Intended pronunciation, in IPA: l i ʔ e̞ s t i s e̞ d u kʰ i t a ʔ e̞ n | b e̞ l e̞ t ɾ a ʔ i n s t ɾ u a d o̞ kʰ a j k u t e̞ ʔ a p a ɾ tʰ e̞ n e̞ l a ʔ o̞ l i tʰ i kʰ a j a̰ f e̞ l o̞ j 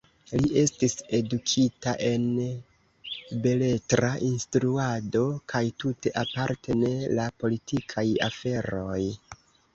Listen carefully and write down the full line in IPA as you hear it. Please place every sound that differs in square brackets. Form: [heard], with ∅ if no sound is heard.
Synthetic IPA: l i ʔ e̞ s t i s e̞ d u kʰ i t a ʔ e̞ n | b e̞ l e̞ t ɾ a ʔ i n s t ɾ u a d o̞ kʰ a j [t] u t e̞ ʔ a p a ɾ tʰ e̞ n e̞ l a [p] o̞ l i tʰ i kʰ a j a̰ f e̞ [ɾ] o̞ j